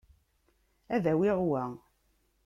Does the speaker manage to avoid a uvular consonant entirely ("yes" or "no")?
no